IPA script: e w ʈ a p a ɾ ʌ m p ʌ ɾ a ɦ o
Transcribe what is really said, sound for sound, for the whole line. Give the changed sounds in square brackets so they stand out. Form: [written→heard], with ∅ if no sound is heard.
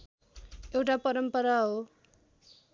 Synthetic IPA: e w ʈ a p [a→ʌ] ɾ ʌ m p ʌ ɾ a ɦ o

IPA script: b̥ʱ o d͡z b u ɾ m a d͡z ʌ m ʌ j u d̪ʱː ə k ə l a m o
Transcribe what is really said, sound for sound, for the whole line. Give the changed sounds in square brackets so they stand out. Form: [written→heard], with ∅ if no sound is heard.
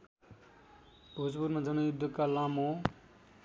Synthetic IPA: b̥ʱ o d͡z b u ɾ m a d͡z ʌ [m→n] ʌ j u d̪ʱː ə k [ə→a] l a m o

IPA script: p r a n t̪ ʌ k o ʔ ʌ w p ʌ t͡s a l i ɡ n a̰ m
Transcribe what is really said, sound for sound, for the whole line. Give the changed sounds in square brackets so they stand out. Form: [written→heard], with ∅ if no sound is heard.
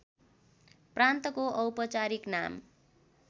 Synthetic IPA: p r a n t̪ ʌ k o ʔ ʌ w p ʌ t͡s a [l→ɾ] i [ɡ→k] n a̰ m

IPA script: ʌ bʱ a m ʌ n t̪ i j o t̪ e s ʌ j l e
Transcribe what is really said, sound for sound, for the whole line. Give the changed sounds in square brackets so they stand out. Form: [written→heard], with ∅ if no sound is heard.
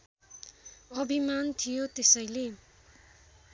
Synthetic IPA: ʌ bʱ [a→i] m [ʌ→a] n [t̪→t̪ʰ] i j o t̪ e s ʌ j l e

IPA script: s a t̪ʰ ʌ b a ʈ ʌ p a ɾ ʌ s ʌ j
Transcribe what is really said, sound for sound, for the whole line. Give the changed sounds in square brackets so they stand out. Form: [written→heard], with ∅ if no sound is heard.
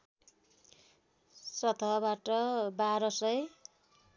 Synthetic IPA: s [a→ʌ] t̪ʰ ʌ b a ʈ ʌ [p→b] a ɾ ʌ s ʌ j

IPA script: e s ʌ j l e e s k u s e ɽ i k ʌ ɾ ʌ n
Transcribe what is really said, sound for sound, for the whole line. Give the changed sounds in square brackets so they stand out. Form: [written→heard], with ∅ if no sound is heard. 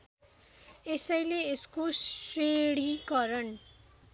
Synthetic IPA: e s ʌ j l e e s k [u→o] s e ɽ i k ʌ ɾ ʌ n

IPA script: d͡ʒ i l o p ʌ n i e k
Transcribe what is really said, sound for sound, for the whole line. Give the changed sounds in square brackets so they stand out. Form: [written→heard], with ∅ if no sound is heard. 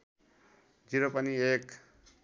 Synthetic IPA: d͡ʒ i [l→ɾ] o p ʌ n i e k

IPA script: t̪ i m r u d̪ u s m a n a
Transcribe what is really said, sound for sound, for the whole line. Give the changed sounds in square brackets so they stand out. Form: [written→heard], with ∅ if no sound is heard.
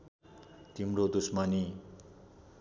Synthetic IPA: t̪ i m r [u→o] d̪ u s m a n [a→i]

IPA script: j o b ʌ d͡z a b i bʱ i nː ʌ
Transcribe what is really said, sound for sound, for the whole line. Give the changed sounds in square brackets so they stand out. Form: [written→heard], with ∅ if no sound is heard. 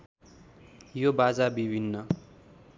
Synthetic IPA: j o b [ʌ→a] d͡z a b i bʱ i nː ʌ

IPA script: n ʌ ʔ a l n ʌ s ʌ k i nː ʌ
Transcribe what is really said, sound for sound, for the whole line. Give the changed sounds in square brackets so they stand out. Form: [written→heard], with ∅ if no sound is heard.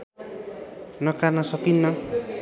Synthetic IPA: n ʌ [ʔ→k] a [l→r] n ʌ s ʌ k i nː ʌ

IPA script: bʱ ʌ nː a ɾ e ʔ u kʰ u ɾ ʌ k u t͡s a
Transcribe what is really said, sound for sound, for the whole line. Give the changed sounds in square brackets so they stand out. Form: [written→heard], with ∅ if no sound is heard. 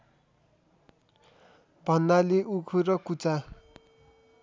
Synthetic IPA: bʱ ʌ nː a [ɾ→l] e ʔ u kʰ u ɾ ʌ k u t͡s a

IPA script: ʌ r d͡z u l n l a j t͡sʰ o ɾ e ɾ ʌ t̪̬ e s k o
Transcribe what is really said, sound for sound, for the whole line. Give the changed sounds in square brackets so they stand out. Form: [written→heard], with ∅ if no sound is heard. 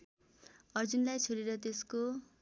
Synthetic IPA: ʌ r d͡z u [l→∅] n l a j t͡sʰ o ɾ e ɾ ʌ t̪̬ e s k o

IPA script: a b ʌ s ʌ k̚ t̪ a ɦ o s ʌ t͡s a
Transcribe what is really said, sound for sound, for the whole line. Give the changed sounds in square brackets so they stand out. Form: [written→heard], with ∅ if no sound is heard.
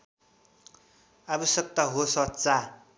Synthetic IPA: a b ʌ s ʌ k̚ t̪ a ɦ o s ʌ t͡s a

